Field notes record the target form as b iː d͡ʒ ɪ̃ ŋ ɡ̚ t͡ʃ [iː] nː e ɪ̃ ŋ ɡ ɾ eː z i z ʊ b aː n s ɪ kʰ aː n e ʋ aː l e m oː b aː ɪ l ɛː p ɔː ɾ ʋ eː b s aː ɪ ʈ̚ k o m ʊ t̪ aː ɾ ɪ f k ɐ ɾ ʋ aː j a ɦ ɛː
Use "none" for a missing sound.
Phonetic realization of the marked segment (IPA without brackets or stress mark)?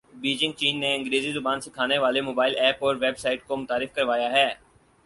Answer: iː